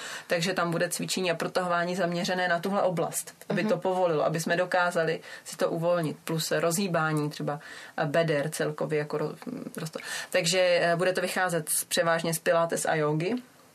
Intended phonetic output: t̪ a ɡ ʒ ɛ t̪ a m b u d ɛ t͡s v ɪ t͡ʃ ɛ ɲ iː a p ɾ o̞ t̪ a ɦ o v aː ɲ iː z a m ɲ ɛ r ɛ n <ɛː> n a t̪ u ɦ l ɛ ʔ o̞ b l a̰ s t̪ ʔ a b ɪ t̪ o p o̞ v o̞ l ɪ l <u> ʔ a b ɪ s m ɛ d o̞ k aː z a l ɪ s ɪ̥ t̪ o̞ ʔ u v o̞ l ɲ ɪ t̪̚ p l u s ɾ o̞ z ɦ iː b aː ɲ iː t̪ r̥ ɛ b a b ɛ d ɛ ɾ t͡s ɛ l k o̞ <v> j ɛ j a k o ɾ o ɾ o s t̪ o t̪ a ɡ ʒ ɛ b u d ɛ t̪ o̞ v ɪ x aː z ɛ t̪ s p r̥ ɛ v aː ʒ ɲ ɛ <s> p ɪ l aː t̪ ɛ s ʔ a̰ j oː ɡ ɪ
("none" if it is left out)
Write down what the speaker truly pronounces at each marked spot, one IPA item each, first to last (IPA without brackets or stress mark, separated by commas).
ɛː, o, v, s